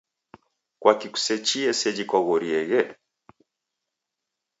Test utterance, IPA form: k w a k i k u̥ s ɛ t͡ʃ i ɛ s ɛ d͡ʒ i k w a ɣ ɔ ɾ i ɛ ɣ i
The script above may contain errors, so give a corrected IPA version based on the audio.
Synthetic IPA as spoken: k w a k i k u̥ s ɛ t͡ʃ i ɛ s ɛ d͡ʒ i k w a ɣ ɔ ɾ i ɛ ɣ ɛ